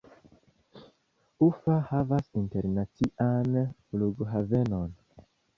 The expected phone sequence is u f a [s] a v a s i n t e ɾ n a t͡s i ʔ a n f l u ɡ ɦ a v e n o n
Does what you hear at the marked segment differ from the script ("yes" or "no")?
yes